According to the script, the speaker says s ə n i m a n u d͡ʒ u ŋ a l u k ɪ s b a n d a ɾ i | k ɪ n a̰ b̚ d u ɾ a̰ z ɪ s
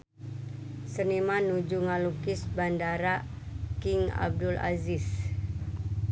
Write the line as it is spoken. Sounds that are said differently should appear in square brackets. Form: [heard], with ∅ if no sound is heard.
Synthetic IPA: s ə n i m a n u d͡ʒ u ŋ a l u k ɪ s b a n d a ɾ [a] | k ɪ [ŋ] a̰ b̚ d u [l] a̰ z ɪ s